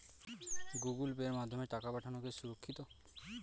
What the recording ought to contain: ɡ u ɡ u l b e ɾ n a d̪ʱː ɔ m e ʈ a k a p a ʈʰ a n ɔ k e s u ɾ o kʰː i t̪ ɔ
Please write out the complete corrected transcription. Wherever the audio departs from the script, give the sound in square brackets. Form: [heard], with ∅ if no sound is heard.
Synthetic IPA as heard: ɡ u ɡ u l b e ɾ [m] a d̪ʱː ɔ m e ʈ a k a p a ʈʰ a n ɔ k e s u ɾ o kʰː i t̪ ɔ